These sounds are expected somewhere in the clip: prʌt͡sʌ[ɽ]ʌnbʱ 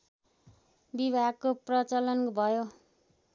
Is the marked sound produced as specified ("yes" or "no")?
no